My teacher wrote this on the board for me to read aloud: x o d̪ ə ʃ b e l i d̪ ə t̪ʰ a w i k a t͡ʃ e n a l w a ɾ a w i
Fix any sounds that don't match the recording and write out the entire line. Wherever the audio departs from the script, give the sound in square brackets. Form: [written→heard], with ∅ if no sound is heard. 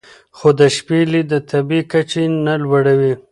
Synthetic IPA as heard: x o d̪ ə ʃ [b→p] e l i d̪ ə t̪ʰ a [w→b] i k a t͡ʃ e n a l w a [ɾ→ɽ] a w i

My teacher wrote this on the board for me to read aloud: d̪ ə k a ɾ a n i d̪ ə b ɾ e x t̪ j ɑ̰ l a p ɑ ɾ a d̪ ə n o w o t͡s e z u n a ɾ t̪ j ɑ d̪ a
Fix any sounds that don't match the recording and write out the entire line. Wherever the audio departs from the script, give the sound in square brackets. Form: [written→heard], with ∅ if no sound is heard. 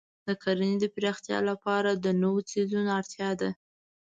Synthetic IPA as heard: d̪ ə k a ɾ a n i d̪ ə [b→p] ɾ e x t̪ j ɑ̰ l a p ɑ ɾ a d̪ ə n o w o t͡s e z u n a ɾ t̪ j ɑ d̪ a

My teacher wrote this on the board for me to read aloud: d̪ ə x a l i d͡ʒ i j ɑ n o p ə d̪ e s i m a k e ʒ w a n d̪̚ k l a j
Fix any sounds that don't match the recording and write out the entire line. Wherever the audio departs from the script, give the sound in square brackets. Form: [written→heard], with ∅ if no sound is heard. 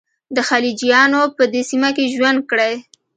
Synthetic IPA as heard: d̪ ə x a l i d͡ʒ i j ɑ n o p ə d̪ e s i m a k e ʒ w a n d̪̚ k [l→ɽ] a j

